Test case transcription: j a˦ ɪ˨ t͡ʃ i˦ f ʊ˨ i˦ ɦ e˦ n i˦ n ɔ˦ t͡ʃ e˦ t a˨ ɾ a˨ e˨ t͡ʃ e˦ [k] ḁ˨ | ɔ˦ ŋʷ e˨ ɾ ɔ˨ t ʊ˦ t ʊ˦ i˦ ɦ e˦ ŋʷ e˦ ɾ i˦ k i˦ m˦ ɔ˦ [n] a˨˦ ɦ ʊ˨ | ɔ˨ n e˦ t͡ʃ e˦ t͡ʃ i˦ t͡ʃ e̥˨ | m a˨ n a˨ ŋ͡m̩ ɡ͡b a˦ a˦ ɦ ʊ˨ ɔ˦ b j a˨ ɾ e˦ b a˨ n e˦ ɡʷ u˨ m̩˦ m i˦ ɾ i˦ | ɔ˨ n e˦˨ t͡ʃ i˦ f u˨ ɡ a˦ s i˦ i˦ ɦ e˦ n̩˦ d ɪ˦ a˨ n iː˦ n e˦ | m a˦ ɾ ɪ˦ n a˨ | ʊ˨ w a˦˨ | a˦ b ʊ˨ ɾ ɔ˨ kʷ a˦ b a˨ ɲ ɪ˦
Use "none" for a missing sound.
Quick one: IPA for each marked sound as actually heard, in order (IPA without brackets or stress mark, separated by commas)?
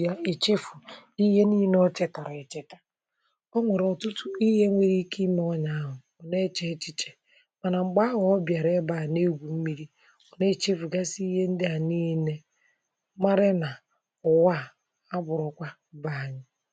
t, ɲ